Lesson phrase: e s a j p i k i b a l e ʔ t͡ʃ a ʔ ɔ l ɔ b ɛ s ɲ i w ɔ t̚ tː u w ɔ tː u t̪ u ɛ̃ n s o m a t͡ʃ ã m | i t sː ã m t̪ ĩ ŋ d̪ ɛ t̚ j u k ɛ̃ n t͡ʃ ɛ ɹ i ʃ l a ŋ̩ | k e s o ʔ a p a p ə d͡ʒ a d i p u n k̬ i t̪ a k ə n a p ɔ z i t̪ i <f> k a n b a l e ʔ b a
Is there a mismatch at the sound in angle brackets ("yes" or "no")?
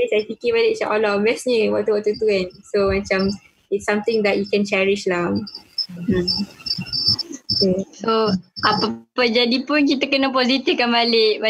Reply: no